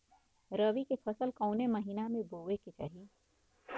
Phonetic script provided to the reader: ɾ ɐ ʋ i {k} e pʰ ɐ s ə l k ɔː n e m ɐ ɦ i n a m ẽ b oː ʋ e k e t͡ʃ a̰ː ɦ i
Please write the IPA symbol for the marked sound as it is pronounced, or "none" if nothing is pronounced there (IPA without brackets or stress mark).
k